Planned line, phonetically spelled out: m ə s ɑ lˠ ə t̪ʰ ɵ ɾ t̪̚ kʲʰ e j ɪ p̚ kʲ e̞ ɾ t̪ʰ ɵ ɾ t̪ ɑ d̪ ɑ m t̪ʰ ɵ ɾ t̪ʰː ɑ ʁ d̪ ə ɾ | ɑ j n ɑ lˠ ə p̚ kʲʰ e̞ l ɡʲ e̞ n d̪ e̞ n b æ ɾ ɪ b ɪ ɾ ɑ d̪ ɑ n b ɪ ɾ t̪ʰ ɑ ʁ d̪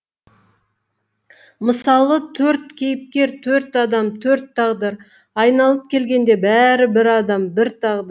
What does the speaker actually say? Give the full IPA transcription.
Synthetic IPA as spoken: m ə s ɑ lˠ ə t̪ʰ ɵ ɾ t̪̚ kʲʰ e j ɪ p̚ kʲ e̞ ɾ t̪ʰ ɵ ɾ t̪ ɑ d̪ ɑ m t̪ʰ ɵ ɾ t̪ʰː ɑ ʁ d̪ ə ɾ | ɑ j n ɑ lˠ ə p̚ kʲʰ e̞ l ɡʲ e̞ n d̪ e̞ b æ ɾ ɪ b ɪ ɾ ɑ d̪ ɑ m b ɪ ɾ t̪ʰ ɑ ʁ d̪